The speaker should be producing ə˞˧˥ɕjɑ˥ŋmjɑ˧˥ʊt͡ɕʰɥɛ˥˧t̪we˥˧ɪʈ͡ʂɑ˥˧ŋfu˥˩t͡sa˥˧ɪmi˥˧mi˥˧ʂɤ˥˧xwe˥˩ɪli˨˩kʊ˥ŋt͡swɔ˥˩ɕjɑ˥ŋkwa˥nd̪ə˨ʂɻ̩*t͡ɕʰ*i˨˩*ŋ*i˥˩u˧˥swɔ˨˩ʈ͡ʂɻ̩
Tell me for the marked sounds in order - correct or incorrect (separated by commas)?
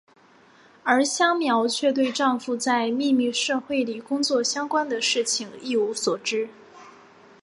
correct, correct